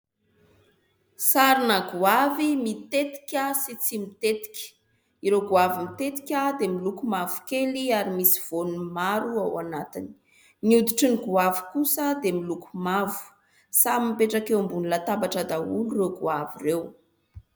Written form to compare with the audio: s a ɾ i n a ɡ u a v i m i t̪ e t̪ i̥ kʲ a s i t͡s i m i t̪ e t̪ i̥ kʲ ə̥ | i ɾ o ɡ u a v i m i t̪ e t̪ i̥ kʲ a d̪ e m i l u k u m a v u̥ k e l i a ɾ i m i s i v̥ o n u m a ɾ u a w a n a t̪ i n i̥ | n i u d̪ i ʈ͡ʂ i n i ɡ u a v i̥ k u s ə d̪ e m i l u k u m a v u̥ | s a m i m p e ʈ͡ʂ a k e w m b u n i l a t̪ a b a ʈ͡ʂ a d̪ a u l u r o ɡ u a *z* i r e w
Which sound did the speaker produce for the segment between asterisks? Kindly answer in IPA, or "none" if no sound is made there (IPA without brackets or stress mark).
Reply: v